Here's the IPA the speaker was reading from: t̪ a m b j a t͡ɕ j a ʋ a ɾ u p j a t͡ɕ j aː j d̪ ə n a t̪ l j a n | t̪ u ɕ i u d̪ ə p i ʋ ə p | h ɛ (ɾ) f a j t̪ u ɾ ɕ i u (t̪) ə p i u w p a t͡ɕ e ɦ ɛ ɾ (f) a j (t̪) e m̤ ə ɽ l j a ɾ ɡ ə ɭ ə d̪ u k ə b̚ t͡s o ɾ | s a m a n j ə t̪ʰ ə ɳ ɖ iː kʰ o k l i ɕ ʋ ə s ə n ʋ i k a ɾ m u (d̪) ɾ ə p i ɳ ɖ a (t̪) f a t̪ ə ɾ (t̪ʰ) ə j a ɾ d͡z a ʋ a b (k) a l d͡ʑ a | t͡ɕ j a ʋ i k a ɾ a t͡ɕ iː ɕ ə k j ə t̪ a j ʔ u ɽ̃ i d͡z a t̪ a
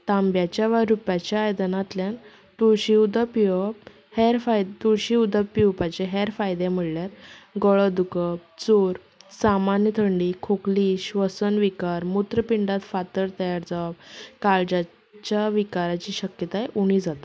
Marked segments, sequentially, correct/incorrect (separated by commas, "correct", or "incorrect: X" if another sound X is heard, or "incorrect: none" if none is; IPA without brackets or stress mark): correct, incorrect: d̪, correct, incorrect: d̪, incorrect: t̪, correct, incorrect: t̪, correct